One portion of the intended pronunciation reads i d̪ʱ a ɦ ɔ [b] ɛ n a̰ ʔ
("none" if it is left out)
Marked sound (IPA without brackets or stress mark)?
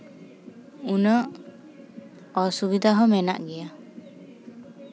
m